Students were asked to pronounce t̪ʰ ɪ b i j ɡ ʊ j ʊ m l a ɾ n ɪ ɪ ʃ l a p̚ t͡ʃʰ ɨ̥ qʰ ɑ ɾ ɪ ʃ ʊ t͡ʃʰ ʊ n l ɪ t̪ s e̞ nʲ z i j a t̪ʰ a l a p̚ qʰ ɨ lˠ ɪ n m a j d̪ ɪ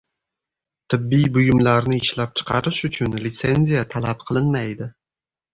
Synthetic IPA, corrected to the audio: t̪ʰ ɪ bː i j b ʊ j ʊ m l a ɾ n ɪ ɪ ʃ l a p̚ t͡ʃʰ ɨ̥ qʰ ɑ ɾ ɪ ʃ ʊ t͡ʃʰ ʊ n l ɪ t̪ s e̞ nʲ z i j a t̪ʰ a l a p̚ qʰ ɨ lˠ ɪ n m a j d̪ ɪ